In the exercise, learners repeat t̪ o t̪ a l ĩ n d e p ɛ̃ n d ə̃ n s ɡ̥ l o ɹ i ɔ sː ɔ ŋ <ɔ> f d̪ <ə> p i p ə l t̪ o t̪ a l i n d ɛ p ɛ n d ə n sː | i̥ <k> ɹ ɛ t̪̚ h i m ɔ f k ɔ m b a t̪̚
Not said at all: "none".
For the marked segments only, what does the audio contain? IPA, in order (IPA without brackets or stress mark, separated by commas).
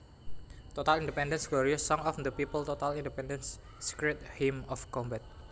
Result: ɔ, ə, k